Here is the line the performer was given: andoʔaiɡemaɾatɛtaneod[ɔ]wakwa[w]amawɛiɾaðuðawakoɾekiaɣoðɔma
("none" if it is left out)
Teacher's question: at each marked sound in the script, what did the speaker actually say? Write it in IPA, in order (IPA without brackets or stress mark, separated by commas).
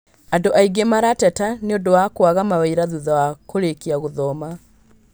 o, ɣ